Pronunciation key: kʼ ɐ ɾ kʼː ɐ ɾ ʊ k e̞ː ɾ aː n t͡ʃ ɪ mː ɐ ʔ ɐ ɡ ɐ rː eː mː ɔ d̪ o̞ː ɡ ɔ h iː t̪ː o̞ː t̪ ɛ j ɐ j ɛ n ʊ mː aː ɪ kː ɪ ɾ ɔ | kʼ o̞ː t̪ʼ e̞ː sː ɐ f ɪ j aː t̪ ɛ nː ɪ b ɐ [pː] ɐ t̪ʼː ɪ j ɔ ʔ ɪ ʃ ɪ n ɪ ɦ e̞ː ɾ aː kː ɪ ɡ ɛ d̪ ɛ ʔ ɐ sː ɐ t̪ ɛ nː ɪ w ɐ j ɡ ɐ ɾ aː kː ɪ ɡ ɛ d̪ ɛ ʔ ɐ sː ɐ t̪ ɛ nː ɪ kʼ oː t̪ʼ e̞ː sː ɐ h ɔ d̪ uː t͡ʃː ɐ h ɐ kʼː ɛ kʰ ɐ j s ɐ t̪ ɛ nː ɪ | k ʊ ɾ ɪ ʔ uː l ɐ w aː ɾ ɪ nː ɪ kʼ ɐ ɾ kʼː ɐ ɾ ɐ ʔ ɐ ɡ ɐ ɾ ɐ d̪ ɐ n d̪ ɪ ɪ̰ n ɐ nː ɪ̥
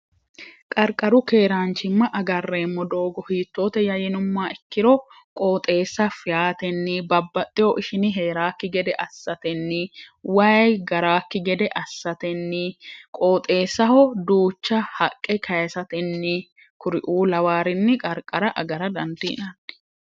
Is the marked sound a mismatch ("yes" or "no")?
yes